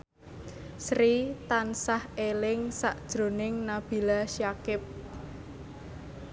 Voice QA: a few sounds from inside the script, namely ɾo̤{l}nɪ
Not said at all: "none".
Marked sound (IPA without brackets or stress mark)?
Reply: none